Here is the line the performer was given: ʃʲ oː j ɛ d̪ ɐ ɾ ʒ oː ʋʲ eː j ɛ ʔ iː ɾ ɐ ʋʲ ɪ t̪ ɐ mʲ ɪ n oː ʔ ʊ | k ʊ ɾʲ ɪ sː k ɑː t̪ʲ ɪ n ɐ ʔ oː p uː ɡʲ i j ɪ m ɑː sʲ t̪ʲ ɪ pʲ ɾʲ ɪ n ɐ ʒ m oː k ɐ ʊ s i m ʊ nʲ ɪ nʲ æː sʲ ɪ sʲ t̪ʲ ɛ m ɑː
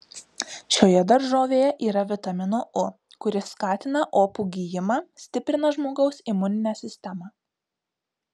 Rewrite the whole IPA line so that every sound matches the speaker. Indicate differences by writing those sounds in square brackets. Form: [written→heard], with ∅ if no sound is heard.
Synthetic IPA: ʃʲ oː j ɛ d̪ ɐ ɾ ʒ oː ʋʲ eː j ɛ ʔ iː ɾ ɐ ʋʲ ɪ t̪ ɐ mʲ ɪ n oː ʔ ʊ | k ʊ ɾʲ ɪ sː k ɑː t̪ʲ ɪ n ɐ ʔ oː p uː ɡʲ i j ɪ m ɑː sʲ t̪ʲ ɪ pʲ ɾʲ ɪ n ɐ ʒ m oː [k→ɡ] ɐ ʊ s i m ʊ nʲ ɪ nʲ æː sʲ ɪ sʲ t̪ʲ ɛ m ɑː